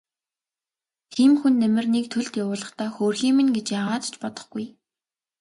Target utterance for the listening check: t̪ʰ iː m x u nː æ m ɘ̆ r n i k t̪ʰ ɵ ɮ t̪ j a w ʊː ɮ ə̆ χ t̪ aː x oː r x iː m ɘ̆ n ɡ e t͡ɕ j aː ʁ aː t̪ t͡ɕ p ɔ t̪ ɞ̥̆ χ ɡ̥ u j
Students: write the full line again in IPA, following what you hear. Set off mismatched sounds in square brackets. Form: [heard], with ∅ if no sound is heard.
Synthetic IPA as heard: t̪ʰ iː m x u nː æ m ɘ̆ r n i k t̪ʰ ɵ ɮ t̪ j a w ʊː ɮ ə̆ χ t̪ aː x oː r x iː m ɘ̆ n ɡ e t͡ɕ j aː ʁ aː t̪ t͡ɕ p ɔ t̪ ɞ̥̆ χ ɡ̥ u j